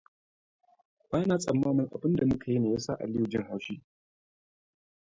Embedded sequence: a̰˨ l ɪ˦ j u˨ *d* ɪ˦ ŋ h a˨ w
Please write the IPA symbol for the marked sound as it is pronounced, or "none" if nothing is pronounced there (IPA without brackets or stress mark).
d͡ʒ